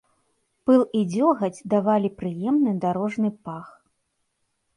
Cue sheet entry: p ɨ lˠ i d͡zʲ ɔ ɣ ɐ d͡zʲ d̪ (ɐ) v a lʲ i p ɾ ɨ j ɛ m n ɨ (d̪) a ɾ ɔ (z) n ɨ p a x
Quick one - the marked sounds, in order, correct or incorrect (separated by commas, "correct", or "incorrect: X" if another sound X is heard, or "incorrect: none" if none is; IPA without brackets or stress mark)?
incorrect: a, correct, incorrect: ʐ